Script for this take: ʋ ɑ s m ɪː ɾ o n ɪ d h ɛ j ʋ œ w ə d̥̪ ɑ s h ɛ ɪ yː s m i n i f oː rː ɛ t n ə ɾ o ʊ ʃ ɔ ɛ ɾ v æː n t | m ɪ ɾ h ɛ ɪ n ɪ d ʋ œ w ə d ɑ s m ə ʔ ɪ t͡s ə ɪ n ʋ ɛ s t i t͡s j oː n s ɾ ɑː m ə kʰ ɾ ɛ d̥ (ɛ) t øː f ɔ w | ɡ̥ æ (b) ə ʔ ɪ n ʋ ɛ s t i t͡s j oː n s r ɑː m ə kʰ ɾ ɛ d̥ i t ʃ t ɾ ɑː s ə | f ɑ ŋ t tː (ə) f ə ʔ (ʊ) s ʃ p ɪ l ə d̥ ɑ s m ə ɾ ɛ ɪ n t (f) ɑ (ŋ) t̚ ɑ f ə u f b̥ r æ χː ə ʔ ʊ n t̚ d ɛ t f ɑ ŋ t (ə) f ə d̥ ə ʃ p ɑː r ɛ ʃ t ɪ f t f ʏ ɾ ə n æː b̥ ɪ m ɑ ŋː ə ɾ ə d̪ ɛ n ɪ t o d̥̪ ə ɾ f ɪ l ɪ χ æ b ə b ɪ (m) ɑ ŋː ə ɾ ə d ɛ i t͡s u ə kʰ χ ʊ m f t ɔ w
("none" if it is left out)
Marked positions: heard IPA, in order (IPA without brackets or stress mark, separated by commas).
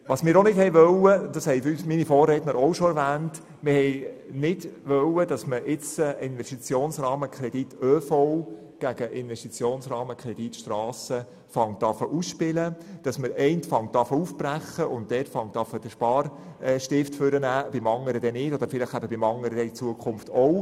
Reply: i, ɡ, ɑ, u, f, ŋ, ɑ, m